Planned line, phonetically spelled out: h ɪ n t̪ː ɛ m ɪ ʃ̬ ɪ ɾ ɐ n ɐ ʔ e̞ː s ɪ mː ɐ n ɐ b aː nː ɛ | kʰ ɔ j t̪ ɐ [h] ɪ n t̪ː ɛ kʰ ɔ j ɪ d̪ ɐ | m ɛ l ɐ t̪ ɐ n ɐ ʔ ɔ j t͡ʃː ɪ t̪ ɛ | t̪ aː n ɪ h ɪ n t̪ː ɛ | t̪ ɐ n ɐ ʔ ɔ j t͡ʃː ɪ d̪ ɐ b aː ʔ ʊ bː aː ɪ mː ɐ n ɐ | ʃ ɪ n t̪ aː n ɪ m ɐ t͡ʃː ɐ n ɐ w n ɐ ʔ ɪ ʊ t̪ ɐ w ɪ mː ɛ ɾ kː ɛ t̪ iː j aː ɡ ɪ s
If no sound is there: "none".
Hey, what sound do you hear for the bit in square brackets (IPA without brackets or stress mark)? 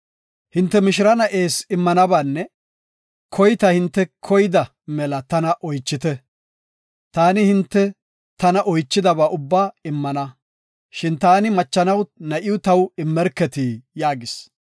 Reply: h